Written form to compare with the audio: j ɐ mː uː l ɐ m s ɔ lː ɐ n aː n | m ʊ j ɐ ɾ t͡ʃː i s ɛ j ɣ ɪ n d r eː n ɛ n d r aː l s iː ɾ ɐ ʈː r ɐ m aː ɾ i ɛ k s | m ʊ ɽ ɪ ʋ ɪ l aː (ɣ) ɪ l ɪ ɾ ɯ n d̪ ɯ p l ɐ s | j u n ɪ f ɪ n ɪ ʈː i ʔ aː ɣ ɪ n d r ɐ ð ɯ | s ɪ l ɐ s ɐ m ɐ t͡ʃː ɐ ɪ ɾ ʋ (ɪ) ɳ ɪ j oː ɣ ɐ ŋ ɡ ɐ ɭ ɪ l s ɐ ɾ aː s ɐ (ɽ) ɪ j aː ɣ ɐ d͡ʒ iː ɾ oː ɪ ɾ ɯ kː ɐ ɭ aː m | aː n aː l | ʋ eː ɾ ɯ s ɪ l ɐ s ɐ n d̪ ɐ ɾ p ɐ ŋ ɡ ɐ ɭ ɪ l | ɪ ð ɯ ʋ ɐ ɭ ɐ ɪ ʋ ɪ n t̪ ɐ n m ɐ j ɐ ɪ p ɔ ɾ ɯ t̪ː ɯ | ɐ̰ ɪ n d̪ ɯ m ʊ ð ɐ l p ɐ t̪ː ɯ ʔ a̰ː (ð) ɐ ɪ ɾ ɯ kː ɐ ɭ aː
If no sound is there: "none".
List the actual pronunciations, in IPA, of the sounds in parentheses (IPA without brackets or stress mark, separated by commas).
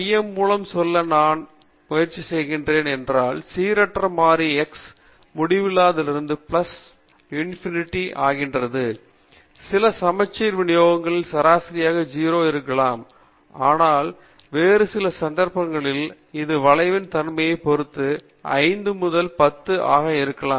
ð, ɪ, ɾ, ɣ